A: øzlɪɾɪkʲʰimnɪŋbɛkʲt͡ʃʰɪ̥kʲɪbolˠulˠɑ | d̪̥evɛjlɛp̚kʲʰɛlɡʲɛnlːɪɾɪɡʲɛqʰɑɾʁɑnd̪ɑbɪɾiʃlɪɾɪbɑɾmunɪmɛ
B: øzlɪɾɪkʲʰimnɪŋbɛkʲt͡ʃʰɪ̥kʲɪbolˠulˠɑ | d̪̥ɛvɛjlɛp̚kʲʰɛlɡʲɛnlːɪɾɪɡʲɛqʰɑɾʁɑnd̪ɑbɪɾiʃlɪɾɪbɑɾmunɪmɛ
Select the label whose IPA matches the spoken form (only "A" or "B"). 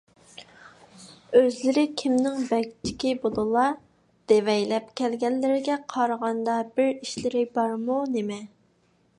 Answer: A